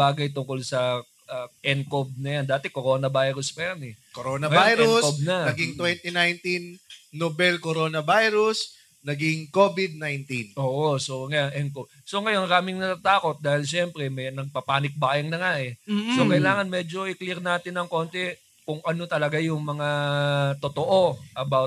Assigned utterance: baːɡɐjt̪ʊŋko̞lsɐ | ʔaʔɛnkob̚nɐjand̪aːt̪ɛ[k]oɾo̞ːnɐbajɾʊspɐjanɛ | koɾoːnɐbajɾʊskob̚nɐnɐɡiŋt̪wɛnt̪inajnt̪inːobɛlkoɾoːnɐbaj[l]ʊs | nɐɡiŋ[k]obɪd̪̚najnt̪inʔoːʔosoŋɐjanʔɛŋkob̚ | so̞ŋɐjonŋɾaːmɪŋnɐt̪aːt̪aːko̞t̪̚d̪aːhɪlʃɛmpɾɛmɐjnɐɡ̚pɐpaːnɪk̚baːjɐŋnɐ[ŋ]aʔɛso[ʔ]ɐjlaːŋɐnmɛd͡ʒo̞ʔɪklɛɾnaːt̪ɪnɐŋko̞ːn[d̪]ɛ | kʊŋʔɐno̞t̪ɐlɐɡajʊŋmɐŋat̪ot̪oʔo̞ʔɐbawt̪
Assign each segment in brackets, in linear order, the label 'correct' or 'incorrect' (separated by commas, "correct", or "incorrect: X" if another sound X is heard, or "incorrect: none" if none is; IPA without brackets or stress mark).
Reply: correct, incorrect: ɾ, correct, correct, incorrect: k, incorrect: t̪